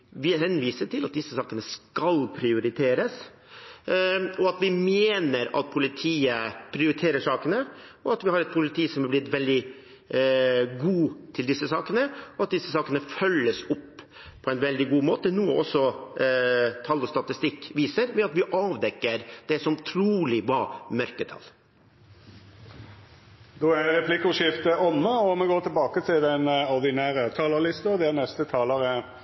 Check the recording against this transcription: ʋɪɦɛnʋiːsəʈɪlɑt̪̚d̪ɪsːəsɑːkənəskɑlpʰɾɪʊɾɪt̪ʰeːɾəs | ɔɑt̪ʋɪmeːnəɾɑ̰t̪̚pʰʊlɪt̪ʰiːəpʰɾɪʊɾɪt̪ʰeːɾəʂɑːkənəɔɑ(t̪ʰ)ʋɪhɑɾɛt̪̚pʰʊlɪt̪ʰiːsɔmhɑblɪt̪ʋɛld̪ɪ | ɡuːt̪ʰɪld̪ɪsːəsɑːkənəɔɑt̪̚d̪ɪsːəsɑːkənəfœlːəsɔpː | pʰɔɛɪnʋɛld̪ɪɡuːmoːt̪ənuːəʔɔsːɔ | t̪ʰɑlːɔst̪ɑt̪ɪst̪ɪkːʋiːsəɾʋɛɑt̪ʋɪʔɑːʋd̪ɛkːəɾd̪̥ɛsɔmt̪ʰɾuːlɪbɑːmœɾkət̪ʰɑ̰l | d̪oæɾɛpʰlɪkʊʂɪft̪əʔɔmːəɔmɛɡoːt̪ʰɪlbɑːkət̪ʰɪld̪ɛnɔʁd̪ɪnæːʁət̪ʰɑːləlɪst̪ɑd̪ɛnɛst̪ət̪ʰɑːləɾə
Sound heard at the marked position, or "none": t̪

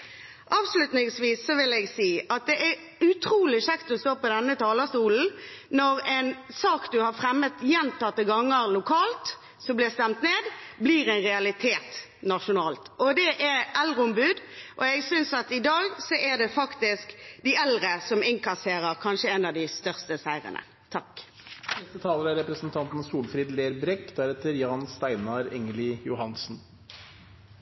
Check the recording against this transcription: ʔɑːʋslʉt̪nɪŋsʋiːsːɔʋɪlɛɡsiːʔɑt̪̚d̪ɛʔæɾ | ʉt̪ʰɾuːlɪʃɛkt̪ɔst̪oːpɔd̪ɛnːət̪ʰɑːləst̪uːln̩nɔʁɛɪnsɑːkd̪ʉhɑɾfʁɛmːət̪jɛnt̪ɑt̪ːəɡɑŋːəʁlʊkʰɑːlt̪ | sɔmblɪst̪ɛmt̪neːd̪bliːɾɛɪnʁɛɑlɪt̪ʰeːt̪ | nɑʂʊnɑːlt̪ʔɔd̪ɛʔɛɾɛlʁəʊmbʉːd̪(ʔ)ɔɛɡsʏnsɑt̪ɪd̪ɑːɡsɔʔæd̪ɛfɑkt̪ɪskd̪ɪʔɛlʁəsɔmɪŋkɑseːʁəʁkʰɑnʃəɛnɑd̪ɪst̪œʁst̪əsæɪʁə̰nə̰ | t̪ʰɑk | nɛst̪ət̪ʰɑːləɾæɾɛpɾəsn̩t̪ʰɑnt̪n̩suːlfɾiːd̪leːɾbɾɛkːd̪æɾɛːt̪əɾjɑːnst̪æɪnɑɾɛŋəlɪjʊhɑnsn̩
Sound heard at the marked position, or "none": ʔ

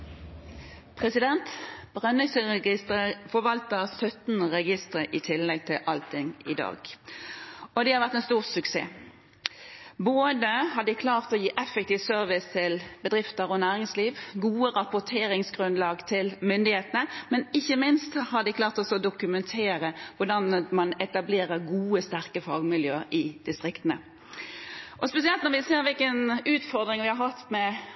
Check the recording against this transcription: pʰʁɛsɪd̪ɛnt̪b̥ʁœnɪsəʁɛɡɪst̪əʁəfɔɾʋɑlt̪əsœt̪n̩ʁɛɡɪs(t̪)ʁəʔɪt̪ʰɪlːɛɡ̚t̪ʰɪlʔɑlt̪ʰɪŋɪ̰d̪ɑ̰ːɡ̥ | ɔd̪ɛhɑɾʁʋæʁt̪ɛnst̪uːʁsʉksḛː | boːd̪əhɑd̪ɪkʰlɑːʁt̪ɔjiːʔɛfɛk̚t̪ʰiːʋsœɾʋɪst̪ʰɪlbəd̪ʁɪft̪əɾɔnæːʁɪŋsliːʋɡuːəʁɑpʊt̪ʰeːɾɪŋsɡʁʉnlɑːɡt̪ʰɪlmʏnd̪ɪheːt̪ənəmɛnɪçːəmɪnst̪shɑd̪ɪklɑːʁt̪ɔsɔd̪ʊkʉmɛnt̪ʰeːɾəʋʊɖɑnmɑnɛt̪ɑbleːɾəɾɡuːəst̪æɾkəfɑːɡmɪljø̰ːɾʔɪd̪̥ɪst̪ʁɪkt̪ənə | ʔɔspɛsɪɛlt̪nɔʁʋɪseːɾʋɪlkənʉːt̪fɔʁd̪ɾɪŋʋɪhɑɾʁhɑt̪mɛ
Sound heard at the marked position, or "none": t̪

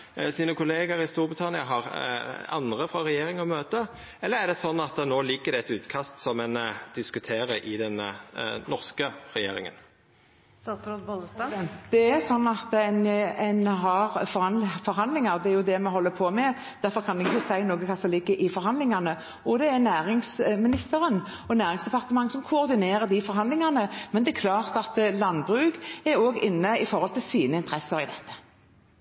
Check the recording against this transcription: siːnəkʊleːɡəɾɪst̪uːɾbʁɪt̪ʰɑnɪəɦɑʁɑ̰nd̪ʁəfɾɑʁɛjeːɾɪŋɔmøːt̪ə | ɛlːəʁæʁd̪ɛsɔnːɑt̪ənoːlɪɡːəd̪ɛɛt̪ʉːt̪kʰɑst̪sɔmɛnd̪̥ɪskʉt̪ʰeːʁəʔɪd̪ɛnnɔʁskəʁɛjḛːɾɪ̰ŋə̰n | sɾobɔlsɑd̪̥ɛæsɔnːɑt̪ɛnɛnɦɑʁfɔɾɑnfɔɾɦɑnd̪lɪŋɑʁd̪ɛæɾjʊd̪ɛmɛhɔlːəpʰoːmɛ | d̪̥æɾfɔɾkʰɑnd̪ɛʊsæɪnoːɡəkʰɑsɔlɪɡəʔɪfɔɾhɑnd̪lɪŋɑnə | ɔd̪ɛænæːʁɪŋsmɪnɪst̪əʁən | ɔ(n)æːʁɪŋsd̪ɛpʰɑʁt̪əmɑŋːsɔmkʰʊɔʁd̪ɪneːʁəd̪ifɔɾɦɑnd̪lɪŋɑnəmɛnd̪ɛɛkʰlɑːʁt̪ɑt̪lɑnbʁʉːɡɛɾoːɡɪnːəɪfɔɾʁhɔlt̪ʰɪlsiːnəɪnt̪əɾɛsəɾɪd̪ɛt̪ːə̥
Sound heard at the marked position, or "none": n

